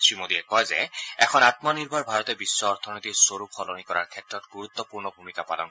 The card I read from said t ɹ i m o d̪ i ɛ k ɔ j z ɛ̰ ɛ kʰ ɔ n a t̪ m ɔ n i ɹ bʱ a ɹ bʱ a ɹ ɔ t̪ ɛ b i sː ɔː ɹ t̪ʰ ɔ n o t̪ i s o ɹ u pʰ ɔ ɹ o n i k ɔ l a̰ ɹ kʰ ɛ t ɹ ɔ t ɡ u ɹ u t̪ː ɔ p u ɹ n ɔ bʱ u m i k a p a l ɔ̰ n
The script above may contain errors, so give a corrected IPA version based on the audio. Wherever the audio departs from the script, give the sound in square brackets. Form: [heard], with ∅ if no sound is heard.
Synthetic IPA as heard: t ɹ i m o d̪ i ɛ k ɔ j z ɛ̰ ɛ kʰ ɔ n a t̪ m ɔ n i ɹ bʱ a ɹ bʱ a ɹ ɔ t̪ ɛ b i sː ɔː ɹ t̪ʰ ɔ n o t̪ i s o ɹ u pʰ ɔ [l] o n i k ɔ [ɹ] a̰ ɹ kʰ ɛ t ɹ ɔ t ɡ u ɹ u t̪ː ɔ p u ɹ n ɔ bʱ u m i k a p a l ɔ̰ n